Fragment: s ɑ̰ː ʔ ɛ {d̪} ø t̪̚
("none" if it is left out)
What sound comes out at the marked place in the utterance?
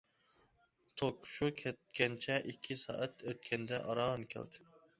t̪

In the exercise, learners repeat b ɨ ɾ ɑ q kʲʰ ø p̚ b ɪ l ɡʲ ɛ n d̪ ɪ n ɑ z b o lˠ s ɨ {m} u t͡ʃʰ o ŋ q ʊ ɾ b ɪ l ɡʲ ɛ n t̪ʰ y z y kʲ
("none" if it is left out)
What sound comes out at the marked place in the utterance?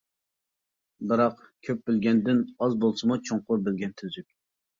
m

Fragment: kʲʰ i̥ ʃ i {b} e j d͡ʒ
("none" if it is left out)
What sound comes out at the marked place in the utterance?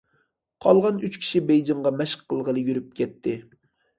b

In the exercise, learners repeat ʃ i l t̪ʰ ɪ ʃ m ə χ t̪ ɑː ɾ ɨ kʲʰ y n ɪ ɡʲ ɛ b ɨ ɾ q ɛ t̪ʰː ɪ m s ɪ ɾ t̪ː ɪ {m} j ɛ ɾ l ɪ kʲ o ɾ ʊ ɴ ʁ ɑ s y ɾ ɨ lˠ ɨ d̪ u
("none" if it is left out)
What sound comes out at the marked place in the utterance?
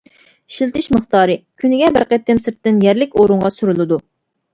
n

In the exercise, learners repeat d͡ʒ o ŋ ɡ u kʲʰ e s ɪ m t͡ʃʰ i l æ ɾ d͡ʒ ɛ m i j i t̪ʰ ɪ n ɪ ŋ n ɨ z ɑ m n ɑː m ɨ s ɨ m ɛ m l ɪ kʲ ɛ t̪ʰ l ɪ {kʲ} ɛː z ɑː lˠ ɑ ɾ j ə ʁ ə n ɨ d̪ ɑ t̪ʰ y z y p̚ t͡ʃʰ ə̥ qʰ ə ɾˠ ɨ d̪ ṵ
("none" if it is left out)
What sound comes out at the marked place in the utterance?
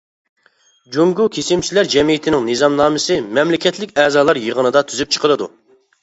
kʲ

